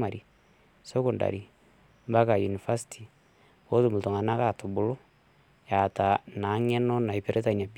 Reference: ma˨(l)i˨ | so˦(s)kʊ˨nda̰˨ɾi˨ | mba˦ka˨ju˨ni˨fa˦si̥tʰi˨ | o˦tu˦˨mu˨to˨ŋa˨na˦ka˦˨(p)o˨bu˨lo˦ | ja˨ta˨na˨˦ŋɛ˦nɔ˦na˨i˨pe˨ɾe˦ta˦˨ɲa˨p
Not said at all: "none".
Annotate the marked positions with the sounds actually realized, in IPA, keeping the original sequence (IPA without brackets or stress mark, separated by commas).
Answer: ɾ, none, t